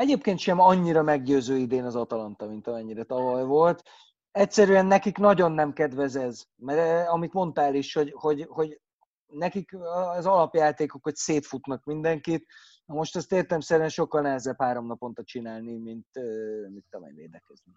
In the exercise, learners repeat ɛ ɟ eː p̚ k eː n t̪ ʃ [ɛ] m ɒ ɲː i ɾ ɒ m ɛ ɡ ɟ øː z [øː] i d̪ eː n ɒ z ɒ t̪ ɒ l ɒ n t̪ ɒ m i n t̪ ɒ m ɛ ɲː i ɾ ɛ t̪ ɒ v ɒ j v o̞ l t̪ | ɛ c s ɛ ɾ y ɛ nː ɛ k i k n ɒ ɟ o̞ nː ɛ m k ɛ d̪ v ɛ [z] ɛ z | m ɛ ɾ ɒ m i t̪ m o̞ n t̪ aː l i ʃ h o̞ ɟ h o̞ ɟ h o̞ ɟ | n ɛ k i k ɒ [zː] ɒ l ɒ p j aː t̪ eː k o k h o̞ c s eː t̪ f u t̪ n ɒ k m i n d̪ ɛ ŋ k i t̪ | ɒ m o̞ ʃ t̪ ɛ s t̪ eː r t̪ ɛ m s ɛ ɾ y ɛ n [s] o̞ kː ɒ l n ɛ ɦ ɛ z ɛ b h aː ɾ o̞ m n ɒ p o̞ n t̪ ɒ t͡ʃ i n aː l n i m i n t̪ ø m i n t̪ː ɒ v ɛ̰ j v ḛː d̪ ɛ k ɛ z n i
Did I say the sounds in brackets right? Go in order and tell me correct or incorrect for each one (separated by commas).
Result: correct, correct, correct, incorrect, incorrect